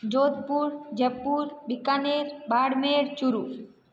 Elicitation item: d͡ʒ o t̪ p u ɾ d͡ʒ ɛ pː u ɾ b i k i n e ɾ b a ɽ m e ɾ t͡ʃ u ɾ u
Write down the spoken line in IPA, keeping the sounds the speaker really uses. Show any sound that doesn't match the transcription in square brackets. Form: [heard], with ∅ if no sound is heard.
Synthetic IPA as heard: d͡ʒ o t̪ p u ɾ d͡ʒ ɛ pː u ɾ b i k [a] n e ɾ b a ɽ m e ɾ t͡ʃ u ɾ u